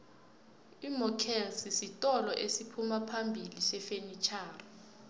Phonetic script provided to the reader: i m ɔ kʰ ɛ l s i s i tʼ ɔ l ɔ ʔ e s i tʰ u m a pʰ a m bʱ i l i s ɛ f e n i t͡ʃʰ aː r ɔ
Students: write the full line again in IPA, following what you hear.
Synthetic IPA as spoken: i m ɔ kʰ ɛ l s i s i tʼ ɔ l ɔ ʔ e s i pʰ u m a pʰ a m bʱ i l i s ɛ f e n i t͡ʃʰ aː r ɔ